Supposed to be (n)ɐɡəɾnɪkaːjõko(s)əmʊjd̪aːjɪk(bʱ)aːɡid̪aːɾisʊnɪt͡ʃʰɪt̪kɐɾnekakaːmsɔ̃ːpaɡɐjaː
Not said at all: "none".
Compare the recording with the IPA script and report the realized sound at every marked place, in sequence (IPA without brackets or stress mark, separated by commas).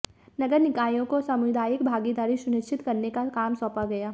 n, s, bʱ